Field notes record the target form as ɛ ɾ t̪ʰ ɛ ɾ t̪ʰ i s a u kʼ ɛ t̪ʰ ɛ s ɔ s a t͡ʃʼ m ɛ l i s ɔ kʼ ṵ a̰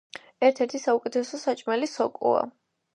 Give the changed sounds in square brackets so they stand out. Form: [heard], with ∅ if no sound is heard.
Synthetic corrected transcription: ɛ ɾ t̪ʰ ɛ ɾ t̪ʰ i s a u kʼ ɛ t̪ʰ ɛ s ɔ s a t͡ʃʼ m ɛ l i s ɔ kʼ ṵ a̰

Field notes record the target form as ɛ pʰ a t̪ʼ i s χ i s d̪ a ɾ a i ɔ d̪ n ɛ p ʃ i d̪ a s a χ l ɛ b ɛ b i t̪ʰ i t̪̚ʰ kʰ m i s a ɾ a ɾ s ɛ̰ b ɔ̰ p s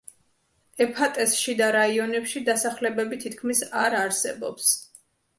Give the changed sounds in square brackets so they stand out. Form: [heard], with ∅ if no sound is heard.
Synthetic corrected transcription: ɛ pʰ a t̪ʼ [ɛ] s [ʃ] i [∅] d̪ a ɾ a i ɔ [∅] n ɛ p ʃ i d̪ a s a χ l ɛ b ɛ b i t̪ʰ i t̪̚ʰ kʰ m i s a ɾ a ɾ s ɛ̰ b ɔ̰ p s

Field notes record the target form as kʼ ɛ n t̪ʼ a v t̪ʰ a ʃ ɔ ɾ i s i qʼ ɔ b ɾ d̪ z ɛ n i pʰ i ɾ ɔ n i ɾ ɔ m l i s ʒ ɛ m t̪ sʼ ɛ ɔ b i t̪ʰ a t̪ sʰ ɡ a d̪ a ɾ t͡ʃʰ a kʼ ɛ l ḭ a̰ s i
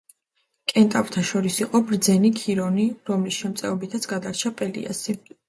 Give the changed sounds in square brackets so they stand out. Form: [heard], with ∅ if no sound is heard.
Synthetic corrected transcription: kʼ ɛ n t̪ʼ a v t̪ʰ a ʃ ɔ ɾ i s i qʼ ɔ b ɾ d̪ z ɛ n i [kʰ] i ɾ ɔ n i ɾ ɔ m l i s [ʃ] ɛ m t̪ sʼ ɛ ɔ b i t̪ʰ a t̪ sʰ ɡ a d̪ a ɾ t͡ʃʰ a [pʼ] ɛ l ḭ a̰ s i

